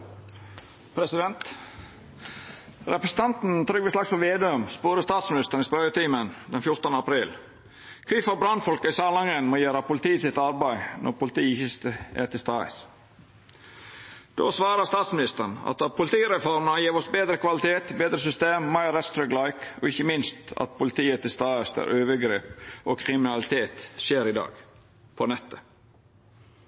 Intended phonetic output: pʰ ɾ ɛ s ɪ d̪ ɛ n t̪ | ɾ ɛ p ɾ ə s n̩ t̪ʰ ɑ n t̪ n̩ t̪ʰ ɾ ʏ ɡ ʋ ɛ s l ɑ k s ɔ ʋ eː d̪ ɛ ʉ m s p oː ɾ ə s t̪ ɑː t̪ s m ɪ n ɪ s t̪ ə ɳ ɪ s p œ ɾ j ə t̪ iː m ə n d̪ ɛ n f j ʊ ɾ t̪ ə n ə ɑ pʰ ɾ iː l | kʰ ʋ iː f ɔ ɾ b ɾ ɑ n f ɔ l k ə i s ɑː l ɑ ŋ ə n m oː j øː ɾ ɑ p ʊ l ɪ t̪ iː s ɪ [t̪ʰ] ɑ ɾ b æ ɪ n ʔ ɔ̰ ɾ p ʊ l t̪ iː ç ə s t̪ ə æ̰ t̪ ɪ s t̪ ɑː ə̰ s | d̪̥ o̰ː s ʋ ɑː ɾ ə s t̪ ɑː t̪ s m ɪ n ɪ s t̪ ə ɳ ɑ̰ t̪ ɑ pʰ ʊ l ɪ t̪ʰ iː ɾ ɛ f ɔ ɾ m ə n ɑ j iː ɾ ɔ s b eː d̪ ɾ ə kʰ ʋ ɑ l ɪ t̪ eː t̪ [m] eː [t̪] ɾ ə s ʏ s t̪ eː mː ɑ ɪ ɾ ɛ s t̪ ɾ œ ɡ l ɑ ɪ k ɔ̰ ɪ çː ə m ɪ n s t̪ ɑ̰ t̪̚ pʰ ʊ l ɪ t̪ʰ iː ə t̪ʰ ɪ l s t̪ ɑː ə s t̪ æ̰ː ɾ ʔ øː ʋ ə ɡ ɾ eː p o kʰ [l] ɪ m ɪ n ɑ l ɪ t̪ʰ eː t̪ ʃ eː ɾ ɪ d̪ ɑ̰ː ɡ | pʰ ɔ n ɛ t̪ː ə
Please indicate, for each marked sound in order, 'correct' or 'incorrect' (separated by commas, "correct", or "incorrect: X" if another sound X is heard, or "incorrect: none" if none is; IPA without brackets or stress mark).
incorrect: t̪, incorrect: b, incorrect: d̪, incorrect: ɾ